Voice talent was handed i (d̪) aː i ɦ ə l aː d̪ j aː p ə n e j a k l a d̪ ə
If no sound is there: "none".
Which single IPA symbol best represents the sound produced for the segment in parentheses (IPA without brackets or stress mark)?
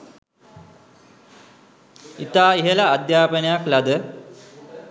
t̪